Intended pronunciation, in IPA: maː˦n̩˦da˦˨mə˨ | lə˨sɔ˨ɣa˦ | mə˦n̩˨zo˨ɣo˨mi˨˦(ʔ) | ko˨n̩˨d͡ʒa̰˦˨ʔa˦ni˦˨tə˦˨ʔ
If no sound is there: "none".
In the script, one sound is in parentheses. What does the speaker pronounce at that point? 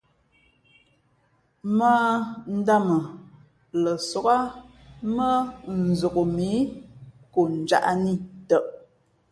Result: none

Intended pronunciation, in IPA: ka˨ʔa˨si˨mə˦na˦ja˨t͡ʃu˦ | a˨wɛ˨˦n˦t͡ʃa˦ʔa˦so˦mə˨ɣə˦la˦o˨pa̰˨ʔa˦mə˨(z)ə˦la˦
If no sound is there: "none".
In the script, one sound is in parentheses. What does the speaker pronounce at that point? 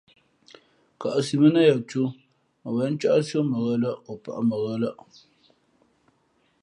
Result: ɣ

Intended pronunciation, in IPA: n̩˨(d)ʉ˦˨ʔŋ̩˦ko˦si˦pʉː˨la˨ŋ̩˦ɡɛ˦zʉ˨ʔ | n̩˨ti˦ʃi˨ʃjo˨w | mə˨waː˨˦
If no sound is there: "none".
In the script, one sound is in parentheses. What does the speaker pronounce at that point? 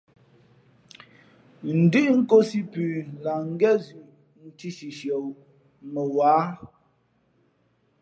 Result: d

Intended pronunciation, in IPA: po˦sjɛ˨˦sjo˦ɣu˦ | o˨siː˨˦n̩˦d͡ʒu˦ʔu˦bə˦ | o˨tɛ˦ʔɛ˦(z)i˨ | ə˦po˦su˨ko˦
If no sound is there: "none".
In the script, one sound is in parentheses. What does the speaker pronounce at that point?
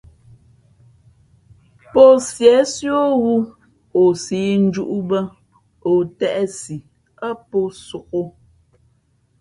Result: s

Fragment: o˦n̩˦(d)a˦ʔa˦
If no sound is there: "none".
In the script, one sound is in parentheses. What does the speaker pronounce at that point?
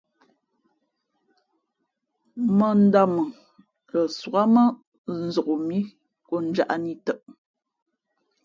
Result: d͡ʒ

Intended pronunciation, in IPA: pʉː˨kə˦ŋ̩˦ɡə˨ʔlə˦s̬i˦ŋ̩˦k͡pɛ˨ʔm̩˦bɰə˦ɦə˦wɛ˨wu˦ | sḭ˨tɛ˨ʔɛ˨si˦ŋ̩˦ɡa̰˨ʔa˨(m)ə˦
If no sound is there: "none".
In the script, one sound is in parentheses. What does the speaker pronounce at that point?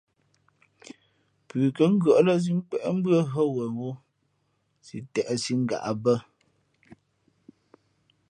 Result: b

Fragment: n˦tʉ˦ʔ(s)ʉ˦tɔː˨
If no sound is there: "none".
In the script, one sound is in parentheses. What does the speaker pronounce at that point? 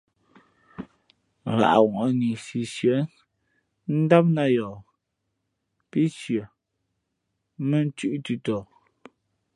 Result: t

